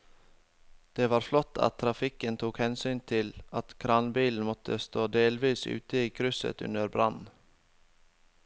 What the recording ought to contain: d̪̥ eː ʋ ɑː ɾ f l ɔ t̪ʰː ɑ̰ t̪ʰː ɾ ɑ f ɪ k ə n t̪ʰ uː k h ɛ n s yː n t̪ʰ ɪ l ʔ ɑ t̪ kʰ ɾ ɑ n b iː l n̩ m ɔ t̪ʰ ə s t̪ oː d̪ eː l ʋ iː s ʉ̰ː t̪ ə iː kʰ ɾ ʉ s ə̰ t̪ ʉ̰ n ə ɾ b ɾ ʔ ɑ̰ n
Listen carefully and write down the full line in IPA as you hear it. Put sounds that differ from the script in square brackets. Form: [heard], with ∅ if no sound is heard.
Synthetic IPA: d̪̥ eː ʋ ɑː ɾ f l ɔ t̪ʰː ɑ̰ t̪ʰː ɾ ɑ f ɪ k ə n t̪ʰ uː k h ɛ n s yː n t̪ʰ ɪ l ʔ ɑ t̪ kʰ ɾ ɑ n b iː l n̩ m ɔ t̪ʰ ə s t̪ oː d̪ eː l ʋ iː s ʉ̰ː t̪ ə iː kʰ ɾ ʉ s ə̰ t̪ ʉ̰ n ə ɾ b ɾ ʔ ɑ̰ n